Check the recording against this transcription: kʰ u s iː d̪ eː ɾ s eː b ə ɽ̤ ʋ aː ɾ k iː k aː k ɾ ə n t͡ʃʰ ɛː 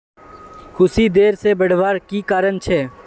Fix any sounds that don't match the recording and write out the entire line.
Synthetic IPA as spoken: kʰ ʊ s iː d̪ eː ɾ s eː b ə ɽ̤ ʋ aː ɾ k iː k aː ɾ ə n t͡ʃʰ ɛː